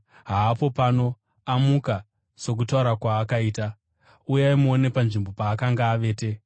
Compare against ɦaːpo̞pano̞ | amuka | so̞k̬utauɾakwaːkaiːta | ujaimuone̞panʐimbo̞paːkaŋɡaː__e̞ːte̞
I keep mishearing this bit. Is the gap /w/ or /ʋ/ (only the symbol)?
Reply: ʋ